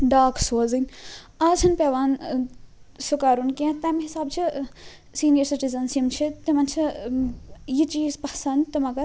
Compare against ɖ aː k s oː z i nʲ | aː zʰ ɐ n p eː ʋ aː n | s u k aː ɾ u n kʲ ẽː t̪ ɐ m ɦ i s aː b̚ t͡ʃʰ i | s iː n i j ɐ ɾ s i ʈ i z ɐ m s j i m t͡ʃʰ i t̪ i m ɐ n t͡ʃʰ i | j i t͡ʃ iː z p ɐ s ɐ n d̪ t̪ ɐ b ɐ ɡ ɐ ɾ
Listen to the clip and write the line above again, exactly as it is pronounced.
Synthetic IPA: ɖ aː k s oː z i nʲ | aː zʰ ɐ n p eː ʋ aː n | s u k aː ɾ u n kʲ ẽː t̪ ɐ m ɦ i s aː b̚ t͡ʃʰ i | s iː n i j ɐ ɾ s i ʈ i z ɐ n s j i m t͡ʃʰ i t̪ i m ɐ n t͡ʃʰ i | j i t͡ʃ iː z p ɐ s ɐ n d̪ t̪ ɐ m ɐ ɡ ɐ ɾ